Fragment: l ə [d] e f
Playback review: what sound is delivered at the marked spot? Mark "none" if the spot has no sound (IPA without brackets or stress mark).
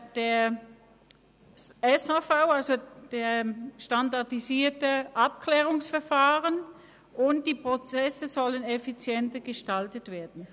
n